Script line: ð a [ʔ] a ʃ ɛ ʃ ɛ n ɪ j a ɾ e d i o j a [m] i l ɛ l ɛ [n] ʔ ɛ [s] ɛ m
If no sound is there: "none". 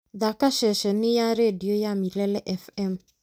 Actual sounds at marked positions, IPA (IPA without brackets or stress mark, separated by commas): k, m, none, f